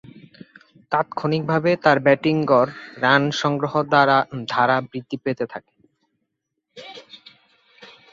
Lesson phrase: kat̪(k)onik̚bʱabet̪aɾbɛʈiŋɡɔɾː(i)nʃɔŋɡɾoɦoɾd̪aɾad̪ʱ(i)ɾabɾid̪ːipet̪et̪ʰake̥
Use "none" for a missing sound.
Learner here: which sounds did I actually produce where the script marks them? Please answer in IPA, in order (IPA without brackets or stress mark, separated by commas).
kʰ, a, a